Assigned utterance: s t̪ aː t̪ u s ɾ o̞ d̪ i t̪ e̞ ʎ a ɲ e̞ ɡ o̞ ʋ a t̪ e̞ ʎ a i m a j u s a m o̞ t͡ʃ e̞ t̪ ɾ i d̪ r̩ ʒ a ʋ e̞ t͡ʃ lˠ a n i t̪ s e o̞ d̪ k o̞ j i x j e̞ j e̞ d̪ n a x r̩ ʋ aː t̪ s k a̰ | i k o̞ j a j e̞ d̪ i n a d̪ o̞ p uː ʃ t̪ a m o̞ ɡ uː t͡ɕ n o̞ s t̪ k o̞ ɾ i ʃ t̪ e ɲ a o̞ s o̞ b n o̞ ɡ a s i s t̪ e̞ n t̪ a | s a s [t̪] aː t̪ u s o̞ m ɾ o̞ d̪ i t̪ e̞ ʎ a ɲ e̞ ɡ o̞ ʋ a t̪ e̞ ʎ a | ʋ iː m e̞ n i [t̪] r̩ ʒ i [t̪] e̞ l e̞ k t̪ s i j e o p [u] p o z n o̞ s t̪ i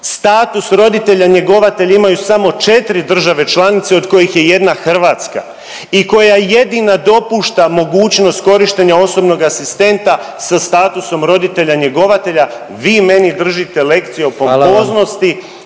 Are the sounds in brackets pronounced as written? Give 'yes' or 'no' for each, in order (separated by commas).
yes, no, yes, no